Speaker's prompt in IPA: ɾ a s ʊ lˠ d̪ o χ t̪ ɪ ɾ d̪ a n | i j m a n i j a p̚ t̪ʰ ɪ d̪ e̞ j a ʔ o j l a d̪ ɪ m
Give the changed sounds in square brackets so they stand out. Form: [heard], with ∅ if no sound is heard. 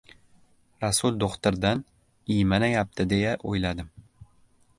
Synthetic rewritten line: ɾ a s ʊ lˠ d̪ o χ t̪ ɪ ɾ d̪ a n | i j m a n [a] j a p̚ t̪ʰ ɪ d̪ e̞ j a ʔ o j l a d̪ ɪ m